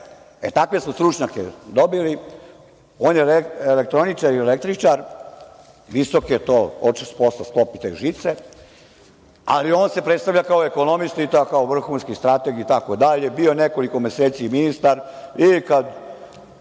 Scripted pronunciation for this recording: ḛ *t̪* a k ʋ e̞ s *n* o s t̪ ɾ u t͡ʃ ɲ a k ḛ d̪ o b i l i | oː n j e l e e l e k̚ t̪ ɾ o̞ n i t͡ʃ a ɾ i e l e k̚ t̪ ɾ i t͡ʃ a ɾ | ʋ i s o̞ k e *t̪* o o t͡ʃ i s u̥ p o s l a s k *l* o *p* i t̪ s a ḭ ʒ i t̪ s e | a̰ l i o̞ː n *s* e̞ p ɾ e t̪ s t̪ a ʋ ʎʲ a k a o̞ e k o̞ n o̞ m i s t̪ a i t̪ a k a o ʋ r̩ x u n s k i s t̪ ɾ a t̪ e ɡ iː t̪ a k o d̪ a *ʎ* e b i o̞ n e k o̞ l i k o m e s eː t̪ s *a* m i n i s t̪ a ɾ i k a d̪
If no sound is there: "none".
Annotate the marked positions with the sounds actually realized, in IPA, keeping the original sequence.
t̪, m, t̪, l, p, s, ʎ, i

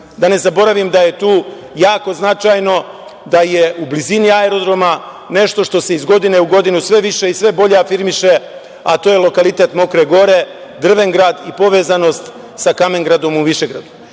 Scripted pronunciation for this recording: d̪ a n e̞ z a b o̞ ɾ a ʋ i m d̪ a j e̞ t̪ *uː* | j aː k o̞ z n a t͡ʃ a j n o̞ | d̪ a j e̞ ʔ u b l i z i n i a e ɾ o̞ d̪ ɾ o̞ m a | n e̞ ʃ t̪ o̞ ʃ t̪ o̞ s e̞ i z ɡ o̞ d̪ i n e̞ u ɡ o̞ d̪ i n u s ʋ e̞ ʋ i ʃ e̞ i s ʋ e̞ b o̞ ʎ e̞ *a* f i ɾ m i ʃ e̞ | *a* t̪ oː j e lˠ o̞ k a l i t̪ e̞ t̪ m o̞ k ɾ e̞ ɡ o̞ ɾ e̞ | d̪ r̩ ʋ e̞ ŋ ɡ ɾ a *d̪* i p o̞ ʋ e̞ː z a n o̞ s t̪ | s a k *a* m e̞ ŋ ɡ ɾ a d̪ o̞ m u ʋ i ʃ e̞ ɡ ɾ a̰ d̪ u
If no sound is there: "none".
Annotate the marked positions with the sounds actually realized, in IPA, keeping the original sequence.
uː, a, a, d̪, a

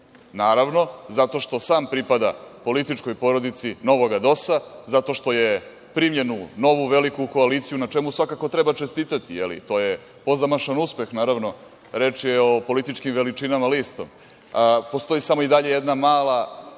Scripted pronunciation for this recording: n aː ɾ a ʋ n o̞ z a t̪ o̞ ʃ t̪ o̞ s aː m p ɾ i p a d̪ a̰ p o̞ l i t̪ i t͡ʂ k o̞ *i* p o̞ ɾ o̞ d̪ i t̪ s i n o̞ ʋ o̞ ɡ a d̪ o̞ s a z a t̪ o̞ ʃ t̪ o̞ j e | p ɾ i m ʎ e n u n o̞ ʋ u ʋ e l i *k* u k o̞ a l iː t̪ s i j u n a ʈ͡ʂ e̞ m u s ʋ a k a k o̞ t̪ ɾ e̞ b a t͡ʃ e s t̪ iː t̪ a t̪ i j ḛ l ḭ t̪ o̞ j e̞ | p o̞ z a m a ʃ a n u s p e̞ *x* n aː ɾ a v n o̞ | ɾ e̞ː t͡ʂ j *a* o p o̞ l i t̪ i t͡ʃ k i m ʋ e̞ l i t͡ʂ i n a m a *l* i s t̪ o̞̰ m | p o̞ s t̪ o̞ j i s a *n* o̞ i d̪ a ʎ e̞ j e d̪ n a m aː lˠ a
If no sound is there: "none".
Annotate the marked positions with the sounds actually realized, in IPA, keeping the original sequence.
j, k, x, e, l, m

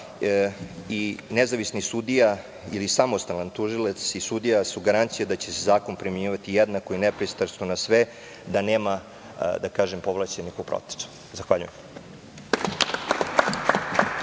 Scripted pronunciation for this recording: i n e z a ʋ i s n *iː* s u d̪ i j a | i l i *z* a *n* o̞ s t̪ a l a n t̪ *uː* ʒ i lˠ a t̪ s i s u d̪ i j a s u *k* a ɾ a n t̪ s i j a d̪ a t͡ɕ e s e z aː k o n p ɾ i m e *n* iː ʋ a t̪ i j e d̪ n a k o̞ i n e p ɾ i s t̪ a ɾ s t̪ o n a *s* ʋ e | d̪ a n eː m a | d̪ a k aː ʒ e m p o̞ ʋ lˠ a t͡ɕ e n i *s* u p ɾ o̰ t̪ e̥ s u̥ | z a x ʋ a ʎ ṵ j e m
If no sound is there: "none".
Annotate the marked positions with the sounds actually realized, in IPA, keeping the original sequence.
i, s, m, u, ɡ, ɲ, s, x

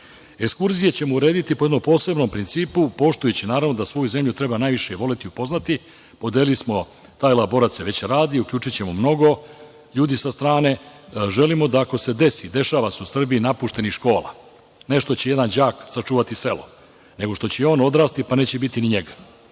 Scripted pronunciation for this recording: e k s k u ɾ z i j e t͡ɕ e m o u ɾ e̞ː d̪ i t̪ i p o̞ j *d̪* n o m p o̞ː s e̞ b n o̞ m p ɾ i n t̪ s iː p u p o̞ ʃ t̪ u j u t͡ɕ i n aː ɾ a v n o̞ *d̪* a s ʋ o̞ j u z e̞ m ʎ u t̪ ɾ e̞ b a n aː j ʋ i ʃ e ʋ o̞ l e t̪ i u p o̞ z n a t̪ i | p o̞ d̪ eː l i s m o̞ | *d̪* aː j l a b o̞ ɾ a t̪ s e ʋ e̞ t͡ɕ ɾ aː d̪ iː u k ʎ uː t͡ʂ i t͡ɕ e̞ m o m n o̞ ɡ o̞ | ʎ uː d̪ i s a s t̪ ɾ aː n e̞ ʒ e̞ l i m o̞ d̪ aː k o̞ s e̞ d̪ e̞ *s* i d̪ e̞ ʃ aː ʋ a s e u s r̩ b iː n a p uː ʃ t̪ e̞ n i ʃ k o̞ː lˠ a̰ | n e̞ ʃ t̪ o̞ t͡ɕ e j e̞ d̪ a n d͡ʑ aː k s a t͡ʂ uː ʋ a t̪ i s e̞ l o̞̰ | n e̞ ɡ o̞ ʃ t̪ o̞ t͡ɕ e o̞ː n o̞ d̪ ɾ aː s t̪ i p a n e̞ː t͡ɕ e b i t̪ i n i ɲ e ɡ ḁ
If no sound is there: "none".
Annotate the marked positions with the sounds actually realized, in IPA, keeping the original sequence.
d̪, d̪, t̪, s

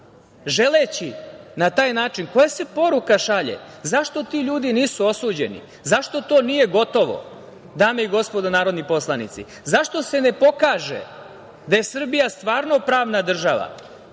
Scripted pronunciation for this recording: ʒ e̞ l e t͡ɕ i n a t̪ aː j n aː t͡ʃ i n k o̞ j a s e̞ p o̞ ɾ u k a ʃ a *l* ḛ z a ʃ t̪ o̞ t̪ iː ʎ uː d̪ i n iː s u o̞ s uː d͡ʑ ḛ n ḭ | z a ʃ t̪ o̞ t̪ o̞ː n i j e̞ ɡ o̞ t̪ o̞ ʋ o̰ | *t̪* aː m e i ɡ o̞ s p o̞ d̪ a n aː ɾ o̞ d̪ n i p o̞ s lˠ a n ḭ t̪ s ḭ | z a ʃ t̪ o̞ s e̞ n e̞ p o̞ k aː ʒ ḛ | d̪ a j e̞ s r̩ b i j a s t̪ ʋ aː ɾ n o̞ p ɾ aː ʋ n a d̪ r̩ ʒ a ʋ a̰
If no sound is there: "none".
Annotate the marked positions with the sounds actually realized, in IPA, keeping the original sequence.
ʎ, d̪

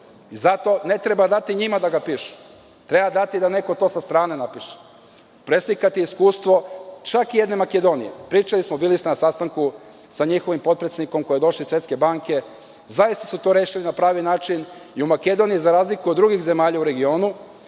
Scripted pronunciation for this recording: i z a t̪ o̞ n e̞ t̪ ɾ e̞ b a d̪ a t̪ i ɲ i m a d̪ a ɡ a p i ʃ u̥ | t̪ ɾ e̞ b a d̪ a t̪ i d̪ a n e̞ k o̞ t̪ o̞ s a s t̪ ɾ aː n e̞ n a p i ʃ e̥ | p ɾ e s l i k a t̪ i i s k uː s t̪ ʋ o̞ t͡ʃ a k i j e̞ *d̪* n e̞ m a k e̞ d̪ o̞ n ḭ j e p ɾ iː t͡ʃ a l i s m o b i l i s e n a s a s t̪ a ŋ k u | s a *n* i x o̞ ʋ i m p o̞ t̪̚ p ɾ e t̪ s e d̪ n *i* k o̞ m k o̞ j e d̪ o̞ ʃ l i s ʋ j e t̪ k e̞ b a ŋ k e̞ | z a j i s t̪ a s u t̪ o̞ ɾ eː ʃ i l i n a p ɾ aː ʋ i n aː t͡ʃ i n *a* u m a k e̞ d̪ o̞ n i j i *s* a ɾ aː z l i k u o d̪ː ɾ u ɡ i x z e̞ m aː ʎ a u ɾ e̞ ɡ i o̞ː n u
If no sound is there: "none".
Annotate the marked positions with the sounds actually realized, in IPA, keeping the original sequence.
d̪, ɲ, i, i, z

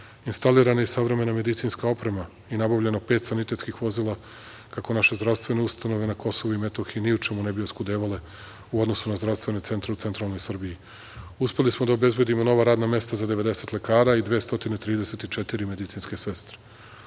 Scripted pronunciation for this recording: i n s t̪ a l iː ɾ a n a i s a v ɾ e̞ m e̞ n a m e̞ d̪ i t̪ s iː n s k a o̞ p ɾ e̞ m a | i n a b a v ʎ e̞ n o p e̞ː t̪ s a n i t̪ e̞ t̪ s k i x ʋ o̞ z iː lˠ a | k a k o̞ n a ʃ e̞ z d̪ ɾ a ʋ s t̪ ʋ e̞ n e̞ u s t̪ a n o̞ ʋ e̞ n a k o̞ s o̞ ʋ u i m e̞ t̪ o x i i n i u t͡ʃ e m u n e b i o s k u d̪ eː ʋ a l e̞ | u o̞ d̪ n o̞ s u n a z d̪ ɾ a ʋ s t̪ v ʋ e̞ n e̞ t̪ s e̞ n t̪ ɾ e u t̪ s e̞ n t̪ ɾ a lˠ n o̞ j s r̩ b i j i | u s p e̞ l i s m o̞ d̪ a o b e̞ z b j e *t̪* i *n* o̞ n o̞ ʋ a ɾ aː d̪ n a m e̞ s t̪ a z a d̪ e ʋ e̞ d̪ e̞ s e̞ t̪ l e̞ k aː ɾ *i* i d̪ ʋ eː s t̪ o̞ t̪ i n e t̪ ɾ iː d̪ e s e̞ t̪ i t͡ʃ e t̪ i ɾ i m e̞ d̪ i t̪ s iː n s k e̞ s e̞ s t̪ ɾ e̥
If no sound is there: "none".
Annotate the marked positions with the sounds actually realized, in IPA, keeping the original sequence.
d̪, m, a

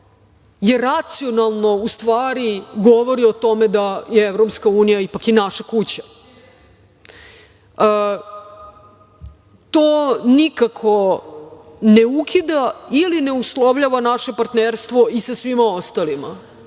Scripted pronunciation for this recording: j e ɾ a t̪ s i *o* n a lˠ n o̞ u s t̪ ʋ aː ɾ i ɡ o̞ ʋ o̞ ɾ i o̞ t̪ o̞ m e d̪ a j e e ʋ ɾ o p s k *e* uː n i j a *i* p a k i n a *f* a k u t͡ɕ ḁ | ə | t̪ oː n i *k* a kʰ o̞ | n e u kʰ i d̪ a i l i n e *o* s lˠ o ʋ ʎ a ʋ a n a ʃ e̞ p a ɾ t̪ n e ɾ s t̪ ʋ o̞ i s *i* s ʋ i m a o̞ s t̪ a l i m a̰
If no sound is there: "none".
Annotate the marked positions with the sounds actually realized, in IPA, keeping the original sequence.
o, a, i, ʃ, k, u, a

